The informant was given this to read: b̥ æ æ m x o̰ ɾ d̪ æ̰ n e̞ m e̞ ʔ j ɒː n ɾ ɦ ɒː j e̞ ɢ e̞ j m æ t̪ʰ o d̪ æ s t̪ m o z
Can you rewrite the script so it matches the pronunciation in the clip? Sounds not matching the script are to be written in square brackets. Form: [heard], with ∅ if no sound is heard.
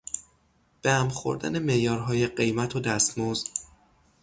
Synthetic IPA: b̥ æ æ m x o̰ ɾ d̪ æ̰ n e̞ m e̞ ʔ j ɒː [∅] ɾ ɦ ɒː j e̞ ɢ e̞ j m æ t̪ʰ o d̪ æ s t̪ m o z